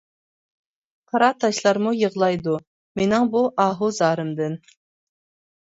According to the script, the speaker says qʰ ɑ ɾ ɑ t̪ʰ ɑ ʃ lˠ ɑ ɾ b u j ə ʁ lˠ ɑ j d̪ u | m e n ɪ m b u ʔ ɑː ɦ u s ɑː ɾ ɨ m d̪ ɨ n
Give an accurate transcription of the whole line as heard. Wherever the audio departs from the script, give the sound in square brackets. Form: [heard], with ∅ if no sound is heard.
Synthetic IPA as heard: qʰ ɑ ɾ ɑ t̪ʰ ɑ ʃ lˠ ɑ ɾ [m] u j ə ʁ lˠ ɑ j d̪ u | m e n ɪ [ŋ] b u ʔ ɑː ɦ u [z] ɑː ɾ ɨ m d̪ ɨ n